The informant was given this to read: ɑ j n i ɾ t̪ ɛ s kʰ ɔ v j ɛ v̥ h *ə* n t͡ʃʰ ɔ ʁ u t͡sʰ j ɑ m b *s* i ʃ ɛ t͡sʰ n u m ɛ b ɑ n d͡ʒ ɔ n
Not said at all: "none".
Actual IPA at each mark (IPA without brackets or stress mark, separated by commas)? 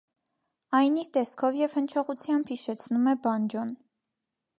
ə, h